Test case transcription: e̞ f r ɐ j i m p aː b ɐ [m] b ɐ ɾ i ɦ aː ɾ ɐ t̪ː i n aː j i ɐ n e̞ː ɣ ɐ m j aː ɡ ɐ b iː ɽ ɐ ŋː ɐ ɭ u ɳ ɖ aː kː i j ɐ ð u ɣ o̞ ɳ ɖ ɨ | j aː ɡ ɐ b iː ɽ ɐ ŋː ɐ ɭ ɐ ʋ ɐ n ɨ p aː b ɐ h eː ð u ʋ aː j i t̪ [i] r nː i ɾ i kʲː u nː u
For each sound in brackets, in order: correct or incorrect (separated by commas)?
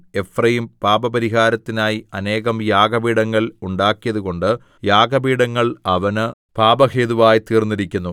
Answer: incorrect, incorrect